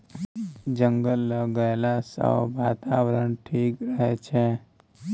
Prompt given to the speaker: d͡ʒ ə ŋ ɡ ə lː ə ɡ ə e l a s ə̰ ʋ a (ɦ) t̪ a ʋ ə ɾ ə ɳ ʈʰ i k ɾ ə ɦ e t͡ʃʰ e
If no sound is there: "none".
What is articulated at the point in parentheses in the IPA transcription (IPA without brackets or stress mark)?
none